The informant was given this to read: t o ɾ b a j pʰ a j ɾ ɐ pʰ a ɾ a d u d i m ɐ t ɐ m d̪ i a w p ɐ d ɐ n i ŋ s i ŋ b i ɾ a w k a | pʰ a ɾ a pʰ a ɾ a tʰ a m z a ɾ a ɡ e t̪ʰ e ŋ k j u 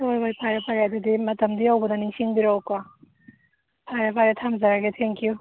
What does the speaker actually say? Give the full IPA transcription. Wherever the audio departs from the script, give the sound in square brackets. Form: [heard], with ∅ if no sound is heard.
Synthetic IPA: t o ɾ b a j pʰ a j ɾ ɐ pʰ a ɾ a d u d i m ɐ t ɐ m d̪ i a w [b] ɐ d ɐ n i ŋ s i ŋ b i ɾ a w k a | pʰ a ɾ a pʰ a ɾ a tʰ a m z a ɾ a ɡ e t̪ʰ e ŋ k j u